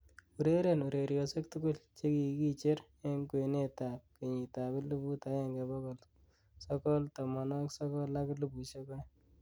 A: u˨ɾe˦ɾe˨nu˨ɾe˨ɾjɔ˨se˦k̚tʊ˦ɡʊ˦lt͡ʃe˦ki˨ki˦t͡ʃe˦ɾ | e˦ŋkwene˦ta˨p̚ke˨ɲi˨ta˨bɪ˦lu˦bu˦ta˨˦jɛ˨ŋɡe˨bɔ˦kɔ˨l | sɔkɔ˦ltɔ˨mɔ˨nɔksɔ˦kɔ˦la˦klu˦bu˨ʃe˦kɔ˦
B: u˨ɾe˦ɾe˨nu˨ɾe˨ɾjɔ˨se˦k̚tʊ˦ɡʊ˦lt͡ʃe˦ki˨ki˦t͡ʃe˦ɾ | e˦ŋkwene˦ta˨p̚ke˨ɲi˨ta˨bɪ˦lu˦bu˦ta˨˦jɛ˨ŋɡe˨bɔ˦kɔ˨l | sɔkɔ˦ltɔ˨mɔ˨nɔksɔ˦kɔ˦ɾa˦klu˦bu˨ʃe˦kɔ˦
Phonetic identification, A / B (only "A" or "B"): A